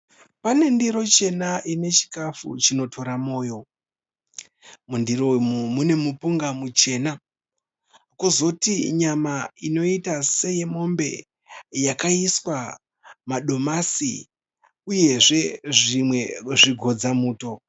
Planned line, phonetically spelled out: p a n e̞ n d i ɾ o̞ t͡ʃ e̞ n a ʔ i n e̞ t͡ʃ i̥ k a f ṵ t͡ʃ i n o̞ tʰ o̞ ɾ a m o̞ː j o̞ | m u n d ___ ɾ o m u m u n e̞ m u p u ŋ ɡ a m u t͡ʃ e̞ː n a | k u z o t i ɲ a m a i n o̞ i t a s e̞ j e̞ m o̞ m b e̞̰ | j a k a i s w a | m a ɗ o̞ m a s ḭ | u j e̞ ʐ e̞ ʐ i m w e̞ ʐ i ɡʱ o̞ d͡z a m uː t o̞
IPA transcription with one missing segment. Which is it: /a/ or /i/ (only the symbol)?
i